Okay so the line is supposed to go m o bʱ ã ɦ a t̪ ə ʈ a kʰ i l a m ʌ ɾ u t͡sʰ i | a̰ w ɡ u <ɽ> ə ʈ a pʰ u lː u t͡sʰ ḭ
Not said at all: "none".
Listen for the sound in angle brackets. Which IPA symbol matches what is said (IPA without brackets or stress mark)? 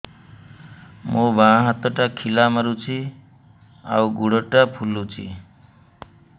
ɽ